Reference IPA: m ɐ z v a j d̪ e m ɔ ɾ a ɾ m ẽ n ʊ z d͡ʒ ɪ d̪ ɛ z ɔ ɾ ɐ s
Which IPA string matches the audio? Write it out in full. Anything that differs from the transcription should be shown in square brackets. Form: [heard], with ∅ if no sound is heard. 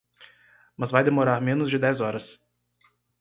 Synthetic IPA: m ɐ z v a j d̪ e m [o] ɾ a ɾ m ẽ n ʊ z d͡ʒ ɪ d̪ ɛ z ɔ ɾ ɐ s